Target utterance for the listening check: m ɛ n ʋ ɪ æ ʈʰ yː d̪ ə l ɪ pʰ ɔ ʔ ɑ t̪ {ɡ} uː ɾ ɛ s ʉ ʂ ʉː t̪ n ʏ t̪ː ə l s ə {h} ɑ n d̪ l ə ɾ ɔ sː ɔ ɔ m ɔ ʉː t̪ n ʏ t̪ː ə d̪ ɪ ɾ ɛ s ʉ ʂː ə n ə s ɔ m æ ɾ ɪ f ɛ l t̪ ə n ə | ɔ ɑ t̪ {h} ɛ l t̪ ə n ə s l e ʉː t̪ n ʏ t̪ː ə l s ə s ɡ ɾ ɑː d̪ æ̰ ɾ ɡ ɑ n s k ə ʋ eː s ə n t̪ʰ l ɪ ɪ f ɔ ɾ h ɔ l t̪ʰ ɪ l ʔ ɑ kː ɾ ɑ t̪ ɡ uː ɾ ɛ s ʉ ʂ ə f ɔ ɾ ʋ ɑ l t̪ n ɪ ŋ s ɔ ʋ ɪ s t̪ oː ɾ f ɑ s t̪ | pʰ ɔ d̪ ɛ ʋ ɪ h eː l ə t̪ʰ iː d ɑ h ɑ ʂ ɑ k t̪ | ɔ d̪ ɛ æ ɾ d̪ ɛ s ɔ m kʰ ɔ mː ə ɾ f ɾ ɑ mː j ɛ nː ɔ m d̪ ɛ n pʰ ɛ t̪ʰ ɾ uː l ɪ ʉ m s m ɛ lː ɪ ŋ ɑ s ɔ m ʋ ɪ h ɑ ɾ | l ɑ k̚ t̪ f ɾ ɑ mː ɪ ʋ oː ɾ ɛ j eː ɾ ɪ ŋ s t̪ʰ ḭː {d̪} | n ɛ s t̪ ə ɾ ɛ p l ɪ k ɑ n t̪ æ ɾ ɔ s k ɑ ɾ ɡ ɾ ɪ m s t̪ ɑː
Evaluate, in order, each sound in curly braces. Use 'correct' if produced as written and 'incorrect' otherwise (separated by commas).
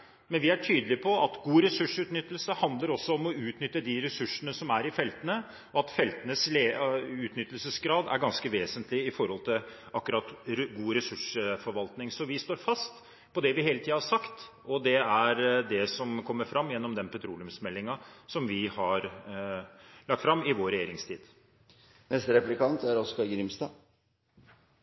correct, correct, incorrect, correct